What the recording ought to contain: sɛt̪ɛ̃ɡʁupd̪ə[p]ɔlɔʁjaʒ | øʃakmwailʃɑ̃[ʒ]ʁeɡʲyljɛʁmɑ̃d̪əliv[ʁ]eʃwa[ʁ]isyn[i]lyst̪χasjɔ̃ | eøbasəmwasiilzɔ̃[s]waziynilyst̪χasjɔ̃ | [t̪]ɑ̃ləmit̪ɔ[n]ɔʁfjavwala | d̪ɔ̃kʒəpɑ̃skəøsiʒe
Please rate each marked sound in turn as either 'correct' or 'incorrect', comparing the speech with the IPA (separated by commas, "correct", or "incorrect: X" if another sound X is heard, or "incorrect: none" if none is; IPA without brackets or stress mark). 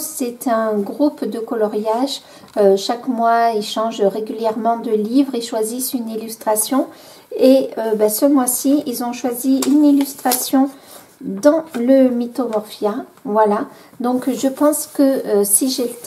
incorrect: k, correct, correct, incorrect: z, correct, incorrect: ʃ, incorrect: d̪, incorrect: m